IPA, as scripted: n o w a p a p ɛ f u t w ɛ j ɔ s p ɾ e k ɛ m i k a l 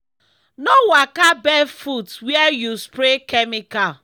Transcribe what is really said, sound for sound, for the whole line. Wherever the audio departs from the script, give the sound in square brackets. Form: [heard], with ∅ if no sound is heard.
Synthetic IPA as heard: n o w a [k] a [b] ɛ f u t w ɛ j [u] s p ɾ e k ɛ m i k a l

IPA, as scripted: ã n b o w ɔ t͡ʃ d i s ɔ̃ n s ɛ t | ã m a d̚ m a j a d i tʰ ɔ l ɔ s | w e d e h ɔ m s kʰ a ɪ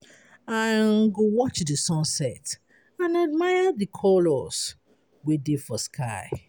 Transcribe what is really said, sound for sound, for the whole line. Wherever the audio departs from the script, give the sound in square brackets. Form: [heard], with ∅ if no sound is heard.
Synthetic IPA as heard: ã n [ɡ] o w ɔ t͡ʃ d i s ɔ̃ n s ɛ t | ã [n] a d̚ m a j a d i [kʰ] ɔ l ɔ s | w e d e [f] ɔ [∅] s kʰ a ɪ

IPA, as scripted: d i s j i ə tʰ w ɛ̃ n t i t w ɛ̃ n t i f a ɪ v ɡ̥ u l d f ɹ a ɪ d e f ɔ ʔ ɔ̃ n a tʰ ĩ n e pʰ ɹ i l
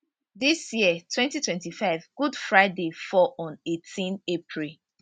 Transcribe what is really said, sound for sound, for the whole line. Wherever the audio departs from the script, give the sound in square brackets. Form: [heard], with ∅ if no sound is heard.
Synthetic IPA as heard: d i s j i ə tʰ w ɛ̃ n t i t w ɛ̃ n t i f a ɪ v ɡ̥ u [∅] d f ɹ a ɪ d e f ɔ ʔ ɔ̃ n [e] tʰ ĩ n e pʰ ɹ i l

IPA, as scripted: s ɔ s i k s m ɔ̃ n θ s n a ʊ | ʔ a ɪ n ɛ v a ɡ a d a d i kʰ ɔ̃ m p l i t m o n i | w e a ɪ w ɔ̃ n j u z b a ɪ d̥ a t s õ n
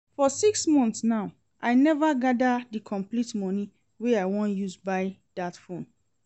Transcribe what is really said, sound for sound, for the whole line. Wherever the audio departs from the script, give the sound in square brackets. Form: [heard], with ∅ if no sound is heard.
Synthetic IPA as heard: [f] ɔ s i k s m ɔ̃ n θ s n a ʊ | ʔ a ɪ n ɛ v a ɡ a d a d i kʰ ɔ̃ m p l i t m [ɔ] n i | w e a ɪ w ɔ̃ n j u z b a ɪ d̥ a t [f] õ n

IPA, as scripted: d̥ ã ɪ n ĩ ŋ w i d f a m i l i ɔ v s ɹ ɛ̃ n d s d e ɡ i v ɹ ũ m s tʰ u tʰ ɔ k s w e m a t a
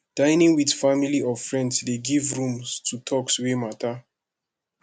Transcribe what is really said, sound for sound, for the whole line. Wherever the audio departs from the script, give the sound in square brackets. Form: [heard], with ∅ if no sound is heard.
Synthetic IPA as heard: d̥ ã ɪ n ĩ ŋ w i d f a m i l i ɔ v [f] ɹ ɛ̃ n d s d e ɡ i v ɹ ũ m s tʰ u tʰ ɔ k s w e m a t a

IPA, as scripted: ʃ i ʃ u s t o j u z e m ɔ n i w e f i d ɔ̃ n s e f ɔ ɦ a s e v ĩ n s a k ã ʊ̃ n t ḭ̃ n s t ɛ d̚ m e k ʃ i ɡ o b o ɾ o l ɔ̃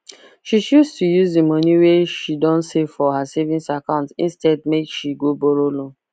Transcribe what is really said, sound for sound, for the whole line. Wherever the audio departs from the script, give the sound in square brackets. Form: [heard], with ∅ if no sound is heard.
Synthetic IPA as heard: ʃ i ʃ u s t [u] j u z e m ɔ n i w e [ʃ] i d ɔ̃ n s e f ɔ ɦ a s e v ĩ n s a k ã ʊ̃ n t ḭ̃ n s t ɛ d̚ m e k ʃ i ɡ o b o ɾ o l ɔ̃

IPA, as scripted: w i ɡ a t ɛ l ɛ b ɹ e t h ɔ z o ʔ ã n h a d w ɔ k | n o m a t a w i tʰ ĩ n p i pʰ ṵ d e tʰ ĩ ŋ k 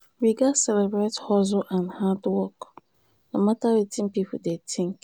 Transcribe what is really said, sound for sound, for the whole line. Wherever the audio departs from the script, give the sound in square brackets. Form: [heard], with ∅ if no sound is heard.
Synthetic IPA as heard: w i ɡ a [s] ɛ l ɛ b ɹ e t h ɔ z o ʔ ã n h a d w ɔ k | n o m a t a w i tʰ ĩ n p i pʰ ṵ d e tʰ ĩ ŋ k

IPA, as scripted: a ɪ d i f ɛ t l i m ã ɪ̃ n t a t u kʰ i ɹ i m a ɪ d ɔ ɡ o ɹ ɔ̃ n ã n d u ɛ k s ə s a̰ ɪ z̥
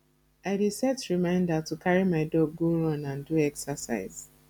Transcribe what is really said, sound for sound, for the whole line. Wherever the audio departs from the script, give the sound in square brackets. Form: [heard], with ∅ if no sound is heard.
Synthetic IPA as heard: a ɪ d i [s] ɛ t [ɹ] i m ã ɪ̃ n [d] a t u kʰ [a] ɹ i m a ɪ d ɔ ɡ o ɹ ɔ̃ n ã n d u ɛ k s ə s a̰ ɪ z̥

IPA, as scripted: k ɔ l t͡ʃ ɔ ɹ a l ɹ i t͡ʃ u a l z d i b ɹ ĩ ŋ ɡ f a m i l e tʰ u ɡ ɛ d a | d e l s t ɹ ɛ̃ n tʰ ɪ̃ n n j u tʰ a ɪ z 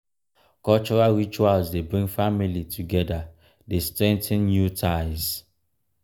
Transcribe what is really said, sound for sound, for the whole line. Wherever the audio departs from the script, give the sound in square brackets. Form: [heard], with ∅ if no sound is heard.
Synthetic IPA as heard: k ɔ l t͡ʃ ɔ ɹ a l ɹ i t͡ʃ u a l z d [e] b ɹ ĩ ŋ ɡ f a m i l [i] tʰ u ɡ ɛ d a | d e [∅] s t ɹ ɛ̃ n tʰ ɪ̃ n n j u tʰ a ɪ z

